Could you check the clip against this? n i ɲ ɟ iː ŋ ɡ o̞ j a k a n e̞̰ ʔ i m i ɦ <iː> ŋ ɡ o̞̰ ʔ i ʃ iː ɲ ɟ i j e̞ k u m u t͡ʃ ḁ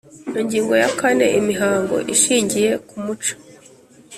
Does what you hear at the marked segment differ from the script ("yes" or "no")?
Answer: yes